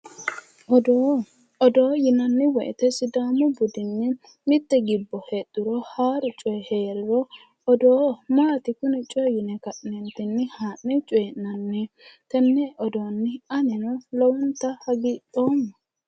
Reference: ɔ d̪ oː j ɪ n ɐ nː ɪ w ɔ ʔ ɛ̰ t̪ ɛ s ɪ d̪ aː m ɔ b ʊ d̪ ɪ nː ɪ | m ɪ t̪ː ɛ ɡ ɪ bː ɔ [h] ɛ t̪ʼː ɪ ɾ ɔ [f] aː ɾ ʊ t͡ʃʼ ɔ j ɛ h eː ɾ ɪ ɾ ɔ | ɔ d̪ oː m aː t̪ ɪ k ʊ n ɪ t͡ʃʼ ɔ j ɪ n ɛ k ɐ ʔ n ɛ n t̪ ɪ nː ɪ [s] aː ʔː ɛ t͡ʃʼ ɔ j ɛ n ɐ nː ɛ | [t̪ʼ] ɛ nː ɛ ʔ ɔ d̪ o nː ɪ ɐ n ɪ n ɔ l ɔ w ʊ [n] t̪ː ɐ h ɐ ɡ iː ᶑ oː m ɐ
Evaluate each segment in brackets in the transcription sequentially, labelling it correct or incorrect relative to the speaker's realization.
correct, incorrect, incorrect, incorrect, correct

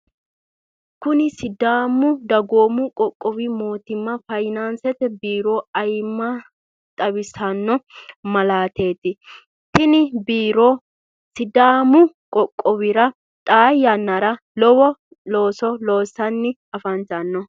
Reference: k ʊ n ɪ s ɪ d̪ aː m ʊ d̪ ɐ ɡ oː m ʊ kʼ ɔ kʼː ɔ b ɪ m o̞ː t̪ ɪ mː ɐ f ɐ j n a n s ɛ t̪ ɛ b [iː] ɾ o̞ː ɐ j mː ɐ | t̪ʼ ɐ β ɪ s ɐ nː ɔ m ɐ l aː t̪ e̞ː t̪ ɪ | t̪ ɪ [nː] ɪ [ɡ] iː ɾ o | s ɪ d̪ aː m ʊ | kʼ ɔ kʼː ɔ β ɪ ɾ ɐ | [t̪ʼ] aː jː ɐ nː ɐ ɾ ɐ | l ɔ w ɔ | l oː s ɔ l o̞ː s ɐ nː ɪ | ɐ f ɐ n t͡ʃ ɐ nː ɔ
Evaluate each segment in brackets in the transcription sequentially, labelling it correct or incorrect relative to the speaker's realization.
correct, incorrect, incorrect, correct

